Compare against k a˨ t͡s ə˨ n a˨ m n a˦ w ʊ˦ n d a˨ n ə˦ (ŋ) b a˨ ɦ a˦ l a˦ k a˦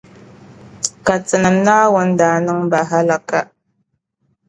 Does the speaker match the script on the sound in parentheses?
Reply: yes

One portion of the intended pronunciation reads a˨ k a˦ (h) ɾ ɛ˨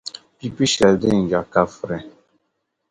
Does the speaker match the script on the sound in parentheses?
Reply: no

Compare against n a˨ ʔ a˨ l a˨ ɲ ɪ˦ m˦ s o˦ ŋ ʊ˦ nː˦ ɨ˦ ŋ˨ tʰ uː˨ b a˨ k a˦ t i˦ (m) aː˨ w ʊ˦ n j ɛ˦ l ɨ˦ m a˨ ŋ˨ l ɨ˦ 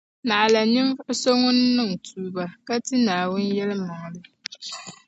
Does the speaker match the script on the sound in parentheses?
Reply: no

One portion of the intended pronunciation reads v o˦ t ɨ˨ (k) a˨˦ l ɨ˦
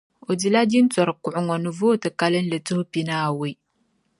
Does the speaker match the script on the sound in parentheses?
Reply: yes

